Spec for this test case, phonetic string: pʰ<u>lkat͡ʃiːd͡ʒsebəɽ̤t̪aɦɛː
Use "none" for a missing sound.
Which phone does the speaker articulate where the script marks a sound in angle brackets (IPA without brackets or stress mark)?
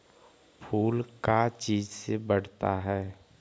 uː